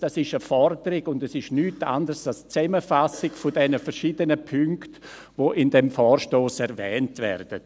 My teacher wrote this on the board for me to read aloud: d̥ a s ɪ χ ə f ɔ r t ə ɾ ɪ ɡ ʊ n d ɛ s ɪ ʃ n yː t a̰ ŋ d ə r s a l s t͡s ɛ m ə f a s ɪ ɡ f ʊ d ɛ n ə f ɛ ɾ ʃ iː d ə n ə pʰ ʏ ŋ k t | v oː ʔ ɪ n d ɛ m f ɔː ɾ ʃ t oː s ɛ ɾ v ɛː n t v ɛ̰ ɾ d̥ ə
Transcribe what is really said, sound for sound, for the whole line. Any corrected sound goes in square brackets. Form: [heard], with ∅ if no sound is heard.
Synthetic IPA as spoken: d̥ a s ɪ [ʃ] ə f ɔ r [d] ə ɾ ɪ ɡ ʊ n d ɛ s ɪ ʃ n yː t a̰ [n] d ə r s a l s t͡s ɛ m ə f a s ɪ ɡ f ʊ d ɛ n ə f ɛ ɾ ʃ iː d ə n ə pʰ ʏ ŋ k t | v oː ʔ ɪ n d ɛ m f ɔː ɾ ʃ t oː s ɛ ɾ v ɛː n t v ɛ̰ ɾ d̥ ə